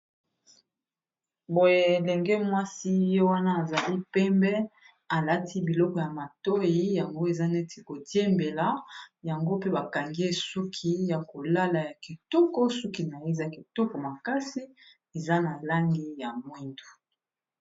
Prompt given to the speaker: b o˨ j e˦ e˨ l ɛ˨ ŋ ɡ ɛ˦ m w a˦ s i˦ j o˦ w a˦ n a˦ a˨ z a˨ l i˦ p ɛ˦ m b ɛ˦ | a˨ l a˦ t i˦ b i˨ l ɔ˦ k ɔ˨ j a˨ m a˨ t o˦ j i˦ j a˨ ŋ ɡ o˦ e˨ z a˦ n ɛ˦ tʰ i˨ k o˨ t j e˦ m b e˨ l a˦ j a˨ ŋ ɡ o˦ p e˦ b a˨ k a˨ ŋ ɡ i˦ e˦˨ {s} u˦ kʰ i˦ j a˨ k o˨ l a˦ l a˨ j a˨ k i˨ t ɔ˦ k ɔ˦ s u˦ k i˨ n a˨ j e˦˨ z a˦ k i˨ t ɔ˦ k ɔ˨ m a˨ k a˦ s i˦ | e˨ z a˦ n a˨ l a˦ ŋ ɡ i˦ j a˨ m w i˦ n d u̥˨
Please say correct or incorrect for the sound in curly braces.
correct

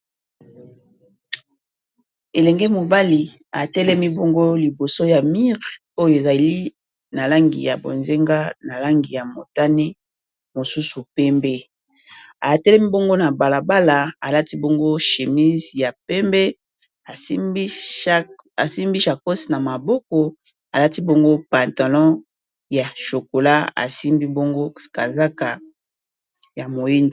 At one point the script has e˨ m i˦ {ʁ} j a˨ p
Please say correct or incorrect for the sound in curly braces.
incorrect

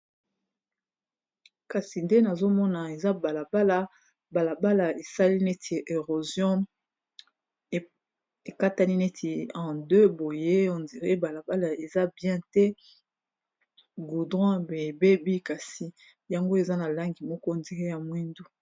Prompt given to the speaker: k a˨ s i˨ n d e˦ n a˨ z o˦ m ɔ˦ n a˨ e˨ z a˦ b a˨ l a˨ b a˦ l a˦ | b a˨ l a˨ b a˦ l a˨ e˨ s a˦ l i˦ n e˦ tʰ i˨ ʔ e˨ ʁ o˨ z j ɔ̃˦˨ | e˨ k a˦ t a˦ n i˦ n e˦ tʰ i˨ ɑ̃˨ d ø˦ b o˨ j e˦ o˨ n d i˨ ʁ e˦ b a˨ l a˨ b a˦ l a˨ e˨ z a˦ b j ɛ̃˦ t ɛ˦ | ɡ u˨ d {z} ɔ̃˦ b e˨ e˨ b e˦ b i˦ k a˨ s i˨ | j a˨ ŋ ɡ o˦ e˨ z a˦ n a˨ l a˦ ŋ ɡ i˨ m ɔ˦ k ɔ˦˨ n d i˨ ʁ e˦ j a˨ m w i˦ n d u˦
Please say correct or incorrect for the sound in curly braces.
incorrect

